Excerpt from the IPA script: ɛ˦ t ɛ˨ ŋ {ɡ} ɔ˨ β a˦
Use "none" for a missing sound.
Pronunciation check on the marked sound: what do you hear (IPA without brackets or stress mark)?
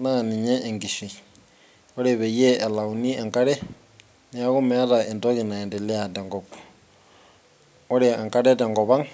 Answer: ɡ